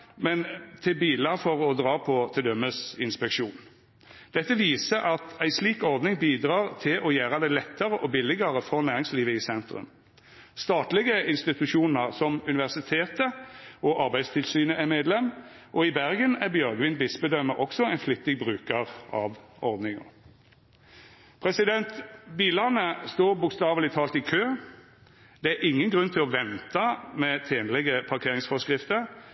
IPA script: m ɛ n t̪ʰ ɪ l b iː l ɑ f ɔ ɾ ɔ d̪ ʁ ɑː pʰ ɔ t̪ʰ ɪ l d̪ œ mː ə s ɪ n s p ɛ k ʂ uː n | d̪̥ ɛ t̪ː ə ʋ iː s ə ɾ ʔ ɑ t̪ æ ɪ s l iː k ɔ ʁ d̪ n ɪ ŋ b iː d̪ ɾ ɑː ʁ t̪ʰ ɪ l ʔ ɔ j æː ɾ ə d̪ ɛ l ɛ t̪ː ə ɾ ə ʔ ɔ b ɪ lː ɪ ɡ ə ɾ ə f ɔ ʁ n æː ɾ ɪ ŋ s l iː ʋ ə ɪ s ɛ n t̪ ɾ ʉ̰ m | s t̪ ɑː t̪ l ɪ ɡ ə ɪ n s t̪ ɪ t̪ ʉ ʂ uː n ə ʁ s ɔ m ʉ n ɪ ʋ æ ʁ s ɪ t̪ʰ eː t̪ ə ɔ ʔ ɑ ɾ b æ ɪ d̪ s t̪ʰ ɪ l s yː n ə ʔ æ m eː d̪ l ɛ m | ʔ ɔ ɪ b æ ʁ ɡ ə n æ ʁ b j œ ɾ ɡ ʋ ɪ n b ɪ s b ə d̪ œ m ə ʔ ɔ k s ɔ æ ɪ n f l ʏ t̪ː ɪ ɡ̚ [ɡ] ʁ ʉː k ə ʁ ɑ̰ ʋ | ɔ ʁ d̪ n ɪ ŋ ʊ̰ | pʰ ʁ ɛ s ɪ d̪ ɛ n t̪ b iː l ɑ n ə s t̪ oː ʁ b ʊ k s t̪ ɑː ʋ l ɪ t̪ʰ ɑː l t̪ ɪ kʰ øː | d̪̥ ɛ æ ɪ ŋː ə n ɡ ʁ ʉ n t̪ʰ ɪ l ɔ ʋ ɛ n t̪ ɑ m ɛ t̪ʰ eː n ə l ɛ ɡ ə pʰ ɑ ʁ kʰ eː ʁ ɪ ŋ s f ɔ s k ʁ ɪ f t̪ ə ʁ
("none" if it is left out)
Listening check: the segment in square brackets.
b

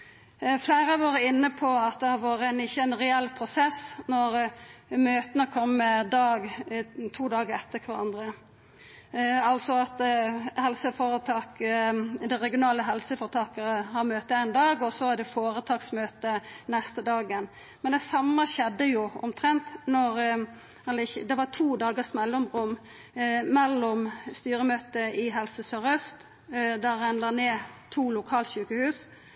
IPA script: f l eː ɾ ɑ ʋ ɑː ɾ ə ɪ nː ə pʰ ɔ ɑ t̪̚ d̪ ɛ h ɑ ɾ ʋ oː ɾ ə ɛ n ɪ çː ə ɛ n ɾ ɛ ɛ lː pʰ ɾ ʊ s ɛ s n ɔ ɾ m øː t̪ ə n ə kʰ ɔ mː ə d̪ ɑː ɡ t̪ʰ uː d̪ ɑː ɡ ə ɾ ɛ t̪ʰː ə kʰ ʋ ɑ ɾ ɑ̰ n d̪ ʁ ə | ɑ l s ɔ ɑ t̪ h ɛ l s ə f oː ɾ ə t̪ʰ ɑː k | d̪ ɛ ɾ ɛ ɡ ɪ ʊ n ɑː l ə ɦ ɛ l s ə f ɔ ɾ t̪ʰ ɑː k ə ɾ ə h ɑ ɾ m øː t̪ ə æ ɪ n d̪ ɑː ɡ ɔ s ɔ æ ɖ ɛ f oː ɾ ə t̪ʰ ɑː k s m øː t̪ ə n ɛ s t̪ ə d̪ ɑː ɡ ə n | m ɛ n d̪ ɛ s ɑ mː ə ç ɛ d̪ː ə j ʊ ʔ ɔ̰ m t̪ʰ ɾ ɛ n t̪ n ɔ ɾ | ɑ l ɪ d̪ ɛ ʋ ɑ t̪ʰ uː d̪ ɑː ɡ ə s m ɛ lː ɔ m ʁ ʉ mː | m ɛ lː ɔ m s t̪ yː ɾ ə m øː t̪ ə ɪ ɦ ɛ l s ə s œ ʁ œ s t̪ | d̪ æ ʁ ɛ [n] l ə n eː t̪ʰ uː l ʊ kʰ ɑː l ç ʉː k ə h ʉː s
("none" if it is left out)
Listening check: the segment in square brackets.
n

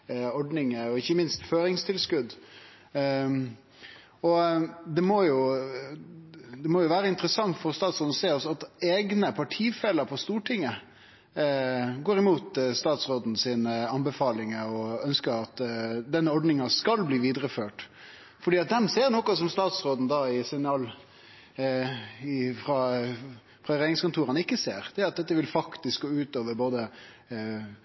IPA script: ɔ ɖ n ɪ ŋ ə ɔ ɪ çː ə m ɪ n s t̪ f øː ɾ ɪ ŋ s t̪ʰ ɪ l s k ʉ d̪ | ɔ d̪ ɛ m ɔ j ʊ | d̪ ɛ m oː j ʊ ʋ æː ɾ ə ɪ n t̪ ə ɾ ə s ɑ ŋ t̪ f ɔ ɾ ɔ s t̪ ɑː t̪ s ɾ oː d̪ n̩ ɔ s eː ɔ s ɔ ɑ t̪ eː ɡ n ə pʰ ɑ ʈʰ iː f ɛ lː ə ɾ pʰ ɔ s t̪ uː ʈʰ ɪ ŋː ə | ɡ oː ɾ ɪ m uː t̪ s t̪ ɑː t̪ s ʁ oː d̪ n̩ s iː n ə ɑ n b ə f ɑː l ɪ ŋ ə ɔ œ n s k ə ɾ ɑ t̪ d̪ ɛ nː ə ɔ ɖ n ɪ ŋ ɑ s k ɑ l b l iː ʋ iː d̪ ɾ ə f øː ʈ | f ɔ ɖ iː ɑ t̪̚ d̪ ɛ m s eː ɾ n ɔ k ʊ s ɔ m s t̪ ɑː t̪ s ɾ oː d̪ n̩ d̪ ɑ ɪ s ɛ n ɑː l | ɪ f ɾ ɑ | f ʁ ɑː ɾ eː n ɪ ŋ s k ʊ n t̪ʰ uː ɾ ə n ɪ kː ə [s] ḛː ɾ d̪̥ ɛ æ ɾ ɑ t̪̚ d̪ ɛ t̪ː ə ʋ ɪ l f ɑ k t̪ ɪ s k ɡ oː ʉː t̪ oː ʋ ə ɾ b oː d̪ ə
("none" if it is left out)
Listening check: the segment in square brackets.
s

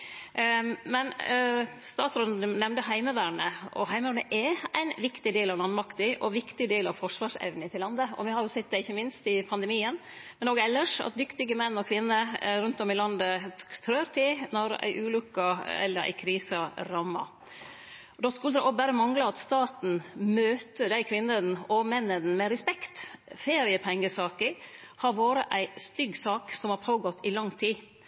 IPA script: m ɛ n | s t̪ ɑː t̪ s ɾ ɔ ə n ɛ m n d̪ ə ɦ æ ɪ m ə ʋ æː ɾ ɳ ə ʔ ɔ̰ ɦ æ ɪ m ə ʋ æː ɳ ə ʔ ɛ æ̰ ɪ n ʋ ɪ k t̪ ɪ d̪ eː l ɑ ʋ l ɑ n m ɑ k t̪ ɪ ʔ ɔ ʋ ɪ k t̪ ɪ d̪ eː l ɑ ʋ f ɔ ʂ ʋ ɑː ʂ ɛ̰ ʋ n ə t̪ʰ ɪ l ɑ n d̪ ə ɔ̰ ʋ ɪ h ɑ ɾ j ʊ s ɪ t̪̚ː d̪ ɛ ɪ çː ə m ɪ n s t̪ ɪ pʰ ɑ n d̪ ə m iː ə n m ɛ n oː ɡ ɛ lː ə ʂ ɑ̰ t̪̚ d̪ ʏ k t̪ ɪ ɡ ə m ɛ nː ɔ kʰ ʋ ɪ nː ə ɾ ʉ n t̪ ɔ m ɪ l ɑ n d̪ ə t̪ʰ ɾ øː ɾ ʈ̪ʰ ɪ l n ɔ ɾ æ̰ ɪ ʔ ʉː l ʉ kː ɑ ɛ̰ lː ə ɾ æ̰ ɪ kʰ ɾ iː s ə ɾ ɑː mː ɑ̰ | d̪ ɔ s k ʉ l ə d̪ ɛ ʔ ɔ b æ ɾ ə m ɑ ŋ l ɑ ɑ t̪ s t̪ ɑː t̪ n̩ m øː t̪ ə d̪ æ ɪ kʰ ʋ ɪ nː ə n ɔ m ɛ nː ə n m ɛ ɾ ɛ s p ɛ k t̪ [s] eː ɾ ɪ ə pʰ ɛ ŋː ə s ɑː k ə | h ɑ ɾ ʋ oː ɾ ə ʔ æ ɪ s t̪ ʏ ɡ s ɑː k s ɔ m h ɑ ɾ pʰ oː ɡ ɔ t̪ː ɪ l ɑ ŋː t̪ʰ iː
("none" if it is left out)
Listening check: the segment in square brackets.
f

